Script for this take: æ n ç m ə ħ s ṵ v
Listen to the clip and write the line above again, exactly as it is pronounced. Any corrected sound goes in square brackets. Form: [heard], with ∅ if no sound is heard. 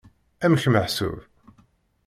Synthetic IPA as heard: æ [m] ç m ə ħ s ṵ v